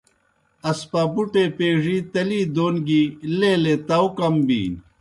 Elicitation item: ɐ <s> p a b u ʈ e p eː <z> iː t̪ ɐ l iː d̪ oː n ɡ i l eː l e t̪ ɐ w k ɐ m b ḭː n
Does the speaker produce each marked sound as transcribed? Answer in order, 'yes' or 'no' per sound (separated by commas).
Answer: yes, no